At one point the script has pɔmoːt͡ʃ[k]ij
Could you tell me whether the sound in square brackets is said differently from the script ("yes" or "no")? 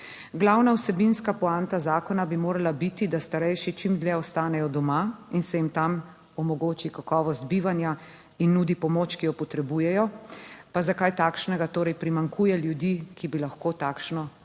no